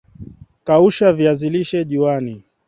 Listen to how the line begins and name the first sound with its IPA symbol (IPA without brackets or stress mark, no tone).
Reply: k